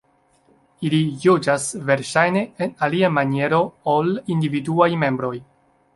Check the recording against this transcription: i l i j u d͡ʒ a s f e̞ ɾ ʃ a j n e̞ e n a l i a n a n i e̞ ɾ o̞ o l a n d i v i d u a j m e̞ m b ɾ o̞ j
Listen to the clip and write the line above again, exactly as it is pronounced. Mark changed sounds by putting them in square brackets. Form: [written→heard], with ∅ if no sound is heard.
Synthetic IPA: i l i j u d͡ʒ a s [f→v] e̞ ɾ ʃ a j n e̞ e n a l i a [n→m] a n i e̞ ɾ o̞ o l [a→i] n d i v i d u a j m e̞ m b ɾ o̞ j